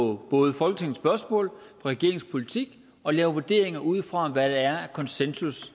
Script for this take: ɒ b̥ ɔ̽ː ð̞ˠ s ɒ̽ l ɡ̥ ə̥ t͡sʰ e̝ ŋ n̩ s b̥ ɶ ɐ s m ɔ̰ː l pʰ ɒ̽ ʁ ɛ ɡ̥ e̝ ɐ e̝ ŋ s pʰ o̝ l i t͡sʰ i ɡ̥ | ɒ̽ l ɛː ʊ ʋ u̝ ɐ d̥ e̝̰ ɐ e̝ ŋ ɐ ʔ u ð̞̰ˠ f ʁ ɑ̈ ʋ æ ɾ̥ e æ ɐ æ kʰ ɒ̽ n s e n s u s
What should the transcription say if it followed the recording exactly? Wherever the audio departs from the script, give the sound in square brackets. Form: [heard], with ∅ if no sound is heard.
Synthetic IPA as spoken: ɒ b̥ ɔ̽ː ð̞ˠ [f] ɒ̽ l ɡ̥ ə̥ t͡sʰ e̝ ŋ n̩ s b̥ ɶ ɐ s m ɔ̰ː l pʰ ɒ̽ ʁ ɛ ɡ̥ e̝ ɐ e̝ ŋ s pʰ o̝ l i t͡sʰ i ɡ̥ | ɒ̽ l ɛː ʊ ʋ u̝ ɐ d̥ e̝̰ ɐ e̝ ŋ ɐ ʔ u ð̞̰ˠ f ʁ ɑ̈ ʋ æ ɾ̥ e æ ɐ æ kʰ ɒ̽ n s e n s u s